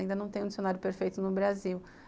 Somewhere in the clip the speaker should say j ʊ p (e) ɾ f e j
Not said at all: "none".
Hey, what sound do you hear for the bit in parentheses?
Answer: e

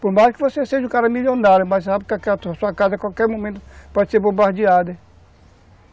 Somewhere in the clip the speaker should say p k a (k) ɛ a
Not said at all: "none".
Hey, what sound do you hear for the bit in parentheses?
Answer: k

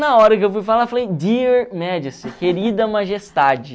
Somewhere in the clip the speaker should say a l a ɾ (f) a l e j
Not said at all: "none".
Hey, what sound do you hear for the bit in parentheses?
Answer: f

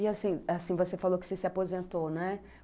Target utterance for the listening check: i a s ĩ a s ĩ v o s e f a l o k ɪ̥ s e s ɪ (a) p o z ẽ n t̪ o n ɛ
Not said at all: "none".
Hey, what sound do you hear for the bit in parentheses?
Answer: a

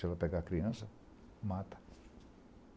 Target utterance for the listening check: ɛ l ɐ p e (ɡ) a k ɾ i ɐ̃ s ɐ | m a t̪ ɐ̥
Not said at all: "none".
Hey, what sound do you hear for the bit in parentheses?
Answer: ɡ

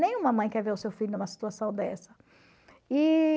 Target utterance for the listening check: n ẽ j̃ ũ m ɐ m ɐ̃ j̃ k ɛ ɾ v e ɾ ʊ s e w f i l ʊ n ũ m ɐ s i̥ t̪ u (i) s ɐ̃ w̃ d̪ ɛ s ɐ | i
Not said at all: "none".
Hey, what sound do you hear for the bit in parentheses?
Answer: a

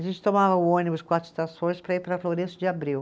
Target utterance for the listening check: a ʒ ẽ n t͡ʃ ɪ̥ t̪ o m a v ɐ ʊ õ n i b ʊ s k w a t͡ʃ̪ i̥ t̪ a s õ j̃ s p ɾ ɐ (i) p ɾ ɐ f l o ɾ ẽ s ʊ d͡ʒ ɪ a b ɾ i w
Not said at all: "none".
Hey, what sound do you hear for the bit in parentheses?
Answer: i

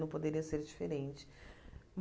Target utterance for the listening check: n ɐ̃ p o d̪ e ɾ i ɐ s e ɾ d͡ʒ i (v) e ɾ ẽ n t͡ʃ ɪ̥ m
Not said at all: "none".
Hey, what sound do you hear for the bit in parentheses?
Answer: f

